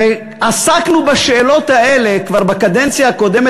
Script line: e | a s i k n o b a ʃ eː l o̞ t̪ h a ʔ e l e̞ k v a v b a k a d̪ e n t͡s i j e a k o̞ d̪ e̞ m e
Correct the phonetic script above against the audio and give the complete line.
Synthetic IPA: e | a s a k n u b a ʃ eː l o̞ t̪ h a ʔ e l e̞ k v a ʁ b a k a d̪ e n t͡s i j a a k o̞ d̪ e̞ m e